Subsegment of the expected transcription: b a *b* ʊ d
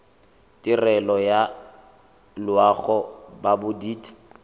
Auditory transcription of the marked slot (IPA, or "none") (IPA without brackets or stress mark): b